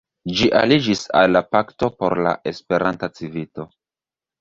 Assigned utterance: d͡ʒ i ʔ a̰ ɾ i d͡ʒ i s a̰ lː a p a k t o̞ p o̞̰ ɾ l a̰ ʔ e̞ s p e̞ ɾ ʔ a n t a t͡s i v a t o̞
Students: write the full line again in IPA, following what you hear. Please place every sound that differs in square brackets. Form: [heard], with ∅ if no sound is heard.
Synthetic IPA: d͡ʒ i ʔ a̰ [l] i d͡ʒ i s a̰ lː a p a k t o̞ p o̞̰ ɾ l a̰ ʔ e̞ s p e̞ ɾ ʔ a n t a t͡s i v [i] t o̞